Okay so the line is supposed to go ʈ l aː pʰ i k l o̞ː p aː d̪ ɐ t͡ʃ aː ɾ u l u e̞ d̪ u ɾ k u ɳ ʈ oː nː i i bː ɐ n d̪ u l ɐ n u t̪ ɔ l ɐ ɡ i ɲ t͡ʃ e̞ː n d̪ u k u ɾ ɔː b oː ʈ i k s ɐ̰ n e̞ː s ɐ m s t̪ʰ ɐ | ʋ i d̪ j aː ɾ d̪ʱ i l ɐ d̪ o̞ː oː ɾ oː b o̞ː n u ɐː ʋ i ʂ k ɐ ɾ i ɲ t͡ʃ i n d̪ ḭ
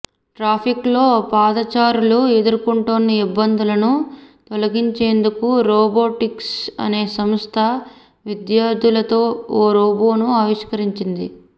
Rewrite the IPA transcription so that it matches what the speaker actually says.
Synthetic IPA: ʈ ɾ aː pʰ i k l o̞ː p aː d̪ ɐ t͡ʃ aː ɾ u l u e̞ d̪ u ɾ k u ɳ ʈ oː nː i i bː ɐ n d̪ u l ɐ n u t̪ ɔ l ɐ ɡ i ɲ t͡ʃ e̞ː n d̪ u k u ɾ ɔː b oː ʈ i k s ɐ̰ n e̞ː s ɐ m s t̪ʰ ɐ | ʋ i d̪ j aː ɾ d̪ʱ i l ɐ t̪ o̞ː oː ɾ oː b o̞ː n u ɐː ʋ i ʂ k ɐ ɾ i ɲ t͡ʃ i n d̪ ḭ